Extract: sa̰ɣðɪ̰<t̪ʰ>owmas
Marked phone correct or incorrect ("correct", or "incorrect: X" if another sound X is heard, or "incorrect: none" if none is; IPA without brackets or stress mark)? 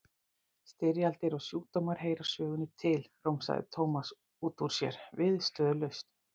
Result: correct